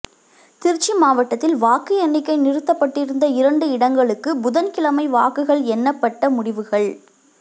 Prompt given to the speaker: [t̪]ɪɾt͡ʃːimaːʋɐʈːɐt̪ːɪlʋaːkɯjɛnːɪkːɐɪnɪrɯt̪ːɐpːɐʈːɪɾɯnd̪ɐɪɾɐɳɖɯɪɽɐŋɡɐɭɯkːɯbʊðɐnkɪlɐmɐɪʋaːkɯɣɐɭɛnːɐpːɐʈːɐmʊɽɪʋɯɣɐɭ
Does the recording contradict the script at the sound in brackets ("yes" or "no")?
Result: no